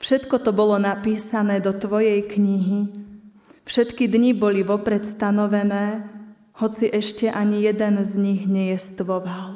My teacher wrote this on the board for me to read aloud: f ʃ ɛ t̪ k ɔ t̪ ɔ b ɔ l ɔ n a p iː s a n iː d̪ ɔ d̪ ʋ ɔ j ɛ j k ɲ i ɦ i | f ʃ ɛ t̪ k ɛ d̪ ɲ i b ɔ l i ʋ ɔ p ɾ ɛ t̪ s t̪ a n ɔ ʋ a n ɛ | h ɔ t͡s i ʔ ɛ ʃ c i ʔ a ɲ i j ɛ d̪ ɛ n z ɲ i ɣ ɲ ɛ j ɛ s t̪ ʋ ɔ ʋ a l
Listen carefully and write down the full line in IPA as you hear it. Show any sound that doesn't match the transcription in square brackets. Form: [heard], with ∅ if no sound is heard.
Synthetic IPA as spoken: f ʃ ɛ t̪ k ɔ t̪ ɔ b ɔ l ɔ n a p iː s a n [ɛː] d̪ ɔ [t̪] ʋ ɔ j ɛ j k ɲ i ɦ i | f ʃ ɛ t̪ k [i] d̪ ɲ i b ɔ l i ʋ ɔ p ɾ ɛ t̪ s t̪ a n ɔ ʋ [ɛ] n [ɛː] | h ɔ t͡s i ʔ ɛ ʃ c [ɛ] ʔ a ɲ i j ɛ d̪ ɛ n z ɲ i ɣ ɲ ɛ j ɛ s t̪ ʋ ɔ ʋ a l